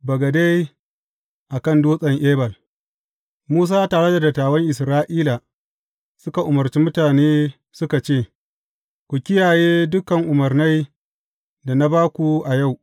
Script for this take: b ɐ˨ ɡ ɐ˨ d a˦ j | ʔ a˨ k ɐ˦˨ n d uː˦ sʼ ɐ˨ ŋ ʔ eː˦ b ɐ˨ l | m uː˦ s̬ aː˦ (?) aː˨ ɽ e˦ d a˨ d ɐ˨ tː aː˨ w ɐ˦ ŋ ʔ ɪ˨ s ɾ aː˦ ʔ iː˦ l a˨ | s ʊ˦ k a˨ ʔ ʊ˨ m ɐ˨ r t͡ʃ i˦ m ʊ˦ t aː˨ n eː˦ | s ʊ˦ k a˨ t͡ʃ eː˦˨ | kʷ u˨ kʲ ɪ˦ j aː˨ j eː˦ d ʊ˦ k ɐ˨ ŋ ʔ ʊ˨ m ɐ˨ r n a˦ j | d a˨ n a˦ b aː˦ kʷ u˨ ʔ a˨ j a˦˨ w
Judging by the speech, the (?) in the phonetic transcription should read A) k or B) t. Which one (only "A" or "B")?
B